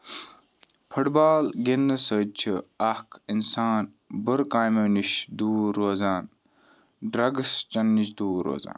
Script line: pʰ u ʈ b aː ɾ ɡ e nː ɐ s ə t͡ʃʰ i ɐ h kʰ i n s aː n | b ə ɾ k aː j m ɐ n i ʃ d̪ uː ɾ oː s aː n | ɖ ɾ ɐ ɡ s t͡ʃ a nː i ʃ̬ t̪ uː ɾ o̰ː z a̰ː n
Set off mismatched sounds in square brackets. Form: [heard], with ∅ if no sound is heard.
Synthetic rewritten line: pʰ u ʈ b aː [l] ɡ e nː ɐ s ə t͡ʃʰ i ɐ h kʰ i n s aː n | b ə ɾ k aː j m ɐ n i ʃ d̪ uː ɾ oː [z] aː n | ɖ ɾ ɐ ɡ s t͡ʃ [ɐ] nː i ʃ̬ [d̪] uː ɾ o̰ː z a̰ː n